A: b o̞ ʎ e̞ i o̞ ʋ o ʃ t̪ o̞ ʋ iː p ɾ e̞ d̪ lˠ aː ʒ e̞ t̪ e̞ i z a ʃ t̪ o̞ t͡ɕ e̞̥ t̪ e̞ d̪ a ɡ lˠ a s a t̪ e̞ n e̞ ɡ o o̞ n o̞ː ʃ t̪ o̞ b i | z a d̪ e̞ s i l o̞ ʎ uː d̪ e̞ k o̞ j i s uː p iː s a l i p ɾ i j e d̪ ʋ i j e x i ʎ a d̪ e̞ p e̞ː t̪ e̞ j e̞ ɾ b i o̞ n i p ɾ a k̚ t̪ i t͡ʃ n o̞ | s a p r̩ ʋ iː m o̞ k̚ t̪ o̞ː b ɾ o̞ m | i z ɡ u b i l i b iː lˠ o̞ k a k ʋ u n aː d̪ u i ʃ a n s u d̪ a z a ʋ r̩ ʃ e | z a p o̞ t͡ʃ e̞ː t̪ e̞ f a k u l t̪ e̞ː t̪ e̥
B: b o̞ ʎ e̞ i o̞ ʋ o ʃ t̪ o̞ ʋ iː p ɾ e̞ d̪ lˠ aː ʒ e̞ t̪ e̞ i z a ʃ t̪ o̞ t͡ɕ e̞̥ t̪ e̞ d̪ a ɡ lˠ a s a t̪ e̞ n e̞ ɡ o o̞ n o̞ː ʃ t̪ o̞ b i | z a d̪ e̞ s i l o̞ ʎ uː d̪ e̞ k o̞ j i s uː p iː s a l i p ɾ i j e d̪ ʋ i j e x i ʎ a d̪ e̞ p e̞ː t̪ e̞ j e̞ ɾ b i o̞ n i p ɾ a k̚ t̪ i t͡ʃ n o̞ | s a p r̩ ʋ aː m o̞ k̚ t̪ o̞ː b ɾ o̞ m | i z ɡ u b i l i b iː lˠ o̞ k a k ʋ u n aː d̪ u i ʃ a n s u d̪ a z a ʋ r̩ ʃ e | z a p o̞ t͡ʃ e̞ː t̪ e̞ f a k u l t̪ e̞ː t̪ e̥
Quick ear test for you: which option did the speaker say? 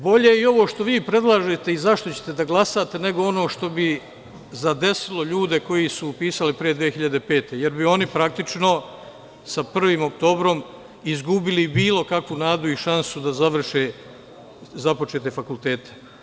A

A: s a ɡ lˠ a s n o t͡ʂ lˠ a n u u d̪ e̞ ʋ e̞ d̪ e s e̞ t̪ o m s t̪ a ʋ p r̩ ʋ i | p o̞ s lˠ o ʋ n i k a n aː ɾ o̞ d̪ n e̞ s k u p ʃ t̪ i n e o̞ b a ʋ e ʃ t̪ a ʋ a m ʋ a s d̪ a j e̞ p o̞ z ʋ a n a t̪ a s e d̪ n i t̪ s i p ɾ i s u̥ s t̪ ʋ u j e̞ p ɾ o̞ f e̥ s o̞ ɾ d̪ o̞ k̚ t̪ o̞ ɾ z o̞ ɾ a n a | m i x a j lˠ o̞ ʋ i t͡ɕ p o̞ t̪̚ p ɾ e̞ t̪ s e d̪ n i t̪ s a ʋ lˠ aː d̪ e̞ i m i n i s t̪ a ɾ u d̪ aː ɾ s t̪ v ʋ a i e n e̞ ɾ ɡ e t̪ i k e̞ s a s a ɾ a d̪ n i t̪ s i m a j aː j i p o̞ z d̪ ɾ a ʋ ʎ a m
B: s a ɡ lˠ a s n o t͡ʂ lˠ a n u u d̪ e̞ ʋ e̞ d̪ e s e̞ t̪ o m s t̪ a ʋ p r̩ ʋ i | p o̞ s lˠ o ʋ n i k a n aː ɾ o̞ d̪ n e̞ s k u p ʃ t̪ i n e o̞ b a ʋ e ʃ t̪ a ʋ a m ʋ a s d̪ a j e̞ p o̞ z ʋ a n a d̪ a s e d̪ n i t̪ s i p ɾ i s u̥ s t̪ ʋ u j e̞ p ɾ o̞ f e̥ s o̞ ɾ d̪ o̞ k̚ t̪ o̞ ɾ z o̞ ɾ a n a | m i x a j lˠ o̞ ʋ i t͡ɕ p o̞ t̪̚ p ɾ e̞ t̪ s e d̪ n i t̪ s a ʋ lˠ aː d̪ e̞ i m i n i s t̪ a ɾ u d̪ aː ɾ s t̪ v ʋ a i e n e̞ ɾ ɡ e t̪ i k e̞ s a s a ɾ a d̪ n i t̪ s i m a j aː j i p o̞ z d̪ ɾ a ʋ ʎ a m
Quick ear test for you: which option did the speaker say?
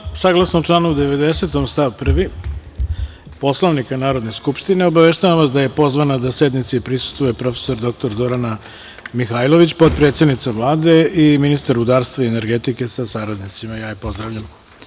B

